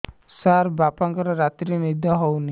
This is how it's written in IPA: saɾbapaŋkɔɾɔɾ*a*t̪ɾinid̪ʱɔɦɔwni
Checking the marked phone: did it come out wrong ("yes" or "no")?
no